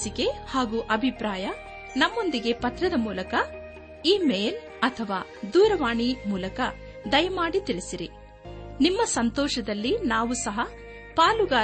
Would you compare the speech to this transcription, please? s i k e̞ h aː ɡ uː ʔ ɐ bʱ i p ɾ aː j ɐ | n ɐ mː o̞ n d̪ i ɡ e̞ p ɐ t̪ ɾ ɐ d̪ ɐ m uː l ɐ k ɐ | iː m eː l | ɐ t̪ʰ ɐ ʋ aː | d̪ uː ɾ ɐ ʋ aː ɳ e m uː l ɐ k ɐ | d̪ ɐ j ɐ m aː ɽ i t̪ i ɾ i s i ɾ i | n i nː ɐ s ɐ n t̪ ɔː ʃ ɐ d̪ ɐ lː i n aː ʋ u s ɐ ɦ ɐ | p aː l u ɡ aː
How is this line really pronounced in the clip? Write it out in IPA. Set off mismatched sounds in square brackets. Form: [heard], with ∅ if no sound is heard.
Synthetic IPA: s i k e̞ h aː ɡ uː ʔ ɐ bʱ i p ɾ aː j ɐ | n ɐ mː o̞ n d̪ i ɡ e̞ p ɐ t̪ ɾ ɐ d̪ ɐ m uː l ɐ k ɐ | iː m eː l | ɐ t̪ʰ ɐ ʋ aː | d̪ uː ɾ ɐ ʋ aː ɳ [i] m uː l ɐ k ɐ | d̪ ɐ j ɐ m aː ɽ i t̪ i [ɭ] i s i ɾ i | n i [mː] ɐ s ɐ n t̪ ɔː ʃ ɐ d̪ ɐ lː i n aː ʋ u s ɐ ɦ ɐ | p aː l u ɡ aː